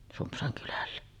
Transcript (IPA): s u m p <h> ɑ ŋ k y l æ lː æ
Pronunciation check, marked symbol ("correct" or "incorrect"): incorrect